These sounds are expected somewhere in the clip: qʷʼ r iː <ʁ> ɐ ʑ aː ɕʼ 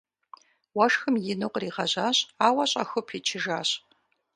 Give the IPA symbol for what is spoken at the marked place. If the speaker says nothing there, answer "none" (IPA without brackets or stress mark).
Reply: ʁ